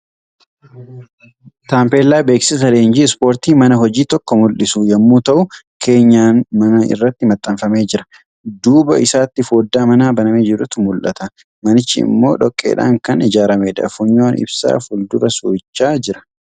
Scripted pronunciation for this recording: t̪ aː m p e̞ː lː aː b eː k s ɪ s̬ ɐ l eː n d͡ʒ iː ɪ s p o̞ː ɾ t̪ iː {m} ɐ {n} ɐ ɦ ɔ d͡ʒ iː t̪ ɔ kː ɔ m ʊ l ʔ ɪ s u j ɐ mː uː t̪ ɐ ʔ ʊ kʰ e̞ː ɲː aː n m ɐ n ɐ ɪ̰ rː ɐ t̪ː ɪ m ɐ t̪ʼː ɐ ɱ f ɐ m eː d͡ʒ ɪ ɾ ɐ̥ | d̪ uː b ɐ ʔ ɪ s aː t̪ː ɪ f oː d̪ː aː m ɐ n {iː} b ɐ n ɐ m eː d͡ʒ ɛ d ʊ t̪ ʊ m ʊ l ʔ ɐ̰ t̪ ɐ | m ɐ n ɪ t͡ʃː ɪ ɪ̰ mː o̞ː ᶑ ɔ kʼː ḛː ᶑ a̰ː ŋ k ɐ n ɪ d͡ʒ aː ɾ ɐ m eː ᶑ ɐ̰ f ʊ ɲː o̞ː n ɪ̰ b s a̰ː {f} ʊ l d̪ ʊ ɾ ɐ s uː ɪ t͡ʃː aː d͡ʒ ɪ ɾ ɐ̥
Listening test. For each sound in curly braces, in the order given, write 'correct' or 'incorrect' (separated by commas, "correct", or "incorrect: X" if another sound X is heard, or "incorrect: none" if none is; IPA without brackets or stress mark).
correct, correct, incorrect: aː, correct